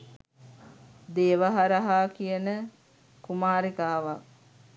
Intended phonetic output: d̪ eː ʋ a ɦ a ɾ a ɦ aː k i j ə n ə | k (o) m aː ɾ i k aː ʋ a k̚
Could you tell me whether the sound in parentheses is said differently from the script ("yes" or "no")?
yes